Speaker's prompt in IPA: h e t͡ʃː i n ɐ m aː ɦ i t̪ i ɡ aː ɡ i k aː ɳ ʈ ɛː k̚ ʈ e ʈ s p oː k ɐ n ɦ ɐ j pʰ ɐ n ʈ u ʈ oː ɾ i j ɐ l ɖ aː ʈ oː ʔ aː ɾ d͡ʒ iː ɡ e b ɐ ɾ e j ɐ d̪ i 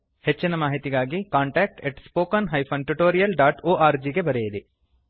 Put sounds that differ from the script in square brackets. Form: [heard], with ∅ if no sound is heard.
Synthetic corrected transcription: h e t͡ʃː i n ɐ m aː ɦ i t̪ i ɡ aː ɡ i k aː ɳ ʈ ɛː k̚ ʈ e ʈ s p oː k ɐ n ɦ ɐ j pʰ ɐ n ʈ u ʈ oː ɾ i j ɐ l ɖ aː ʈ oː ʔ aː ɾ d͡ʒ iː ɡ e b ɐ ɾ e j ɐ d̪ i

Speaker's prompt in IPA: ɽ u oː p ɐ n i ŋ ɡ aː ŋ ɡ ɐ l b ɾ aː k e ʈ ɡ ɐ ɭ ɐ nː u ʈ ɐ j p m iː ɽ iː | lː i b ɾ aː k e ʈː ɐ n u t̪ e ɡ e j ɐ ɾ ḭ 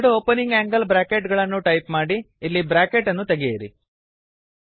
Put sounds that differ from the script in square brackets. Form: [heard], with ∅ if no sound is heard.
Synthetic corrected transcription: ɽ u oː p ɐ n i ŋ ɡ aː ŋ ɡ ɐ l b ɾ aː k e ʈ ɡ ɐ ɭ ɐ nː u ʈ ɐ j p m [aː] ɽ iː | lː i b ɾ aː k e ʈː ɐ [nː] u t̪ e ɡ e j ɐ ɾ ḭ

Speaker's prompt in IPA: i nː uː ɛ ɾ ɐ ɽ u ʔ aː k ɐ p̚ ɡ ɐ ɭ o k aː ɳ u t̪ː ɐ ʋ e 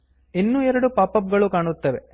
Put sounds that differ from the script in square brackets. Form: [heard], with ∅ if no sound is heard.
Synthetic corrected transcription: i nː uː ɛ ɾ ɐ ɽ u [p] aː [p] ɐ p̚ ɡ ɐ ɭ [u] k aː ɳ u t̪ː ɐ ʋ e

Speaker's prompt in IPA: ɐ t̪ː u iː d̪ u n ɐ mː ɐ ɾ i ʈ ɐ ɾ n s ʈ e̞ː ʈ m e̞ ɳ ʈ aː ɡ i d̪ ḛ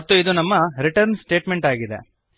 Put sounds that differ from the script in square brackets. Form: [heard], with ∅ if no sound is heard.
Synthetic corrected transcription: ɐ t̪ː u [i] d̪ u n ɐ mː ɐ ɾ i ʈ ɐ ɾ n s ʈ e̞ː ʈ m e̞ ɳ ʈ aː ɡ i d̪ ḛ

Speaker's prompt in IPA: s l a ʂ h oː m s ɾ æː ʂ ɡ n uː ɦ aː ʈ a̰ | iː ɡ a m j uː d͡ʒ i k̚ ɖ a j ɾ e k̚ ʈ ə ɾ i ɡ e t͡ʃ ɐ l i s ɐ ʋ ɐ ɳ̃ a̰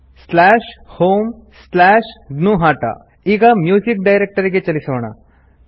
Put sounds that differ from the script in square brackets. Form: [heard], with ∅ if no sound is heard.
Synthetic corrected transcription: s l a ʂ h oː m s [l] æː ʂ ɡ n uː ɦ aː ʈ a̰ | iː ɡ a m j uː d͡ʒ i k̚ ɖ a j ɾ e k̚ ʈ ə ɾ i ɡ e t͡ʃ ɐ l i s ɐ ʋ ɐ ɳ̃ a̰

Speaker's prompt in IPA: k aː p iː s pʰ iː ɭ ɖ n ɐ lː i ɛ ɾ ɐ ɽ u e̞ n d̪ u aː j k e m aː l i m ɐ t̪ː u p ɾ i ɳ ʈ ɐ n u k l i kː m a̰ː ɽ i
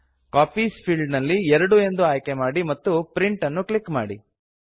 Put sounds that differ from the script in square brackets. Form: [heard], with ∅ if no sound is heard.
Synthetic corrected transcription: k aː p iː s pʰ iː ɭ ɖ n ɐ lː i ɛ ɾ ɐ ɽ u e̞ n d̪ u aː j k e m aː [ɽ] i m ɐ t̪ː u p ɾ i ɳ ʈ ɐ [nː] u k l i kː m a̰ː ɽ i

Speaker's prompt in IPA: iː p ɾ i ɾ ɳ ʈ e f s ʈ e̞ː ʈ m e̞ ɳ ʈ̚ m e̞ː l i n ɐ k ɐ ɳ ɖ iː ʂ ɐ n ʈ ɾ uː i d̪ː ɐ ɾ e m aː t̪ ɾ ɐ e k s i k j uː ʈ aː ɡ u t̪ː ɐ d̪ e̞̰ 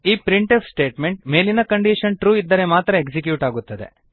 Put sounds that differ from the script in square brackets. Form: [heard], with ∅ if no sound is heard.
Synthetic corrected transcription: iː p ɾ i [∅] ɳ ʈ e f s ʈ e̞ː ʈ m e̞ ɳ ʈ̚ m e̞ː l i n ɐ k ɐ ɳ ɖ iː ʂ ɐ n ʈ ɾ uː i d̪ː ɐ ɾ e m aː t̪ ɾ ɐ e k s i k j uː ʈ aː ɡ u t̪ː ɐ d̪ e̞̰

